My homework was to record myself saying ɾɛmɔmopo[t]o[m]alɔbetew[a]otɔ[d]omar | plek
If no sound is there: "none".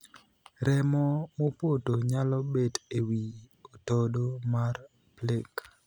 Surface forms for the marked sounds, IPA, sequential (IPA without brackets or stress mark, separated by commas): t, ɲ, i, d